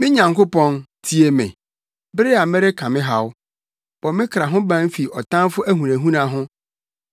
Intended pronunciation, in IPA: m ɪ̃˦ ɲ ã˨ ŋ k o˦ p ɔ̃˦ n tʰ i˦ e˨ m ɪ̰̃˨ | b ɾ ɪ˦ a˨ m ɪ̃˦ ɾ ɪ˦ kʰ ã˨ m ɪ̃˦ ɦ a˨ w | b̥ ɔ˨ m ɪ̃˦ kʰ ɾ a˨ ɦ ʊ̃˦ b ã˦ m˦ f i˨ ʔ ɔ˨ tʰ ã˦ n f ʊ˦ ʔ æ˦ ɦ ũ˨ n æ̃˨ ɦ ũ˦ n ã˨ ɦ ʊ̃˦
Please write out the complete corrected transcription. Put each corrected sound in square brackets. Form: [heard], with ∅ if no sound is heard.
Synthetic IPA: m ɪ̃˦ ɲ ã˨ ŋ k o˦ p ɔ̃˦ n tʰ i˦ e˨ m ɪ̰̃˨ | b ɾ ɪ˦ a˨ m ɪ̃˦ ɾ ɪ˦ kʰ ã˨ m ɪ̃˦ ɦ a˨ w | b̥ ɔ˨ m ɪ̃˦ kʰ ɾ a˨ ɦ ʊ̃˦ b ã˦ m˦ f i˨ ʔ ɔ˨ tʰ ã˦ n f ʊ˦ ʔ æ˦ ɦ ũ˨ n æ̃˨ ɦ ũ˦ n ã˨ ɦ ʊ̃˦